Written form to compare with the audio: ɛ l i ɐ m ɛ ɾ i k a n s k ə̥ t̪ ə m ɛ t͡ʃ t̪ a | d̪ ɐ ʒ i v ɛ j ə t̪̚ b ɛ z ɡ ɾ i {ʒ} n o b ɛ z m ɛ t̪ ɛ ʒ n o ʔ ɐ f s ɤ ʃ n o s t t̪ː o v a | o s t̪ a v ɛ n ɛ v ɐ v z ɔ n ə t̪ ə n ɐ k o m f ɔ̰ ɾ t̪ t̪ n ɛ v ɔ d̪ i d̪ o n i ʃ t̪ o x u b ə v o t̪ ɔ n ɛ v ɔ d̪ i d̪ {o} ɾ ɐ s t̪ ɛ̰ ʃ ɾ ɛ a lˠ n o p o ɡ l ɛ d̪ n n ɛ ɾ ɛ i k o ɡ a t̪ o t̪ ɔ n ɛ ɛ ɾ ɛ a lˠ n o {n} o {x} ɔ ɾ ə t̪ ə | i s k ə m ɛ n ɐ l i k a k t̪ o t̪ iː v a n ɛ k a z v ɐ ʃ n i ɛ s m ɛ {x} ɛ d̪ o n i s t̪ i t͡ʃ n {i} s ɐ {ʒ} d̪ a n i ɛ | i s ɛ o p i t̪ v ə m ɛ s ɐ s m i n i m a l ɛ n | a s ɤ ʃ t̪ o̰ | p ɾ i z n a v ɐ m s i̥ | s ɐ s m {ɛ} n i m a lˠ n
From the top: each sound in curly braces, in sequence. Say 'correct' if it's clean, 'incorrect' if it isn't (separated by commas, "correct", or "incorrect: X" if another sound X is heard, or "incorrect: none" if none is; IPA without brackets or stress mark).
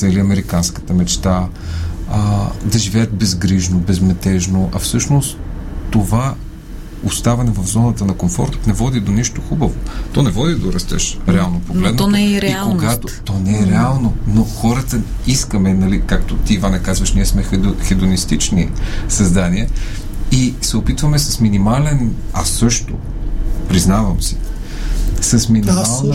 correct, correct, correct, correct, correct, correct, incorrect: z, incorrect: i